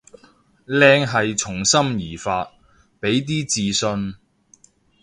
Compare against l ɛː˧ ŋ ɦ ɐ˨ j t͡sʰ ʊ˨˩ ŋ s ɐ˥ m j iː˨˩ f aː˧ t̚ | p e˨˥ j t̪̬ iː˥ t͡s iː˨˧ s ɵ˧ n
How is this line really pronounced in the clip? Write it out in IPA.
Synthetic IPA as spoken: l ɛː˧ ŋ ɦ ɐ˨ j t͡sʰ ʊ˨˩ ŋ s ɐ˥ m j iː˨˩ f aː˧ t̚ | p e˨˥ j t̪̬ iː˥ t͡s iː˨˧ s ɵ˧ n